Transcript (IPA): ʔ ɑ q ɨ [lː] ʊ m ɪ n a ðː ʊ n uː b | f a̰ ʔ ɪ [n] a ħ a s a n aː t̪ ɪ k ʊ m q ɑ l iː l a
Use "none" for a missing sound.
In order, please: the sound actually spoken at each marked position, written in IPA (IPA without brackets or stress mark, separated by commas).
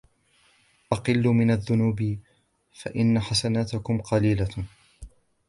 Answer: lː, nː